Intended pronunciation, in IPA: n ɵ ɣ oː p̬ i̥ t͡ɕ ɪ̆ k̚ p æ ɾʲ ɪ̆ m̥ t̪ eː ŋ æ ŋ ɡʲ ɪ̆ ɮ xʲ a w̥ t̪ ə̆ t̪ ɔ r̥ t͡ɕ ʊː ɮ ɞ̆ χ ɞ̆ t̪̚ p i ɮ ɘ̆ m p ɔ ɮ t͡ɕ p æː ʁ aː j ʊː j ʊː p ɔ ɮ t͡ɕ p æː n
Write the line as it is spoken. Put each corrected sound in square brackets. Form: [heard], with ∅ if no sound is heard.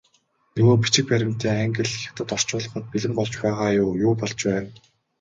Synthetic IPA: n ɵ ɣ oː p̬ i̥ t͡ɕ ɪ̆ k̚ p æ ɾʲ ɪ̆ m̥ t̪ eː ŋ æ ŋ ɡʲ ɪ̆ ɮ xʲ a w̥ t̪ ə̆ t̪ ɔ r̥ t͡ɕ ʊː ɮ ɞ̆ χ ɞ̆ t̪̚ p i ɮ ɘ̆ m p ɔ ɮ t͡ɕ p æː ʁ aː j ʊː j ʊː p ɔ ɮ t͡ɕ p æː n